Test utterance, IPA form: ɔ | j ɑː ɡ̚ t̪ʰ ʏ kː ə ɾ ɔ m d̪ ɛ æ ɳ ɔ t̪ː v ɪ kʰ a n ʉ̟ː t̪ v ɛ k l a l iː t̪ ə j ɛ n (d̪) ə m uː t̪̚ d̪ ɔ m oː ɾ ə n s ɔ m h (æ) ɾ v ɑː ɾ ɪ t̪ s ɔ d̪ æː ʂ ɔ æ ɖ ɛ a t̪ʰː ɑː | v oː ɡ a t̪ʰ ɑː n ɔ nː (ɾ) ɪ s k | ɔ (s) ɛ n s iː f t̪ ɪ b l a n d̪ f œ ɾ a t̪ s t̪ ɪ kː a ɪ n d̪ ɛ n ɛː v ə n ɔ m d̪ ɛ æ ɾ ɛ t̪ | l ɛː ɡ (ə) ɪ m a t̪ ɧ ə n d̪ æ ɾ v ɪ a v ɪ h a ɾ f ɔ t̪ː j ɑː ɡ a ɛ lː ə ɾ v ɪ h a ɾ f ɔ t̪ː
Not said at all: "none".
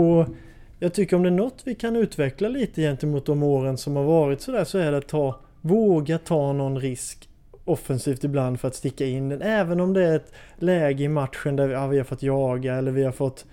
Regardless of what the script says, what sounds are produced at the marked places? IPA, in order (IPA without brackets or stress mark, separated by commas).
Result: t̪, a, ɾ, f, ə